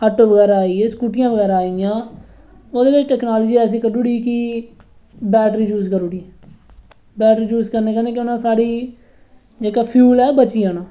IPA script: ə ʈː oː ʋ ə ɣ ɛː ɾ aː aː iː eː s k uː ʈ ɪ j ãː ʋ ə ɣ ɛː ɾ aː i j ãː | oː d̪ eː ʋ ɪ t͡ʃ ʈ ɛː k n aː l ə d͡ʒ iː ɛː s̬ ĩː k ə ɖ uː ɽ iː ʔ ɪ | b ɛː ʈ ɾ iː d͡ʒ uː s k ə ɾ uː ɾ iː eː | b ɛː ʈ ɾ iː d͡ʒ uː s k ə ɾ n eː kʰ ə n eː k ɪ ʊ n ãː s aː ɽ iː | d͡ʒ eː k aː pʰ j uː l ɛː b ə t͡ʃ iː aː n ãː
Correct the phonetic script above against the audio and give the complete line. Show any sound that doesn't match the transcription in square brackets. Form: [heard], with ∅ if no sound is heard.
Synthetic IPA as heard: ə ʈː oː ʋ ə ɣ ɛː ɾ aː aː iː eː s k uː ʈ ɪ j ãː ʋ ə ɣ ɛː ɾ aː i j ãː | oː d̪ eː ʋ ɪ t͡ʃ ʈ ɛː k n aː l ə d͡ʒ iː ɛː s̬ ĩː k ə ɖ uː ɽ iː [k] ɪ | b ɛː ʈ ɾ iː d͡ʒ uː s k ə ɾ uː [ɽ] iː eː | b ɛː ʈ ɾ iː d͡ʒ uː s k ə ɾ n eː [k] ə n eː k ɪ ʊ n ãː s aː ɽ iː | d͡ʒ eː k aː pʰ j uː l ɛː b ə t͡ʃ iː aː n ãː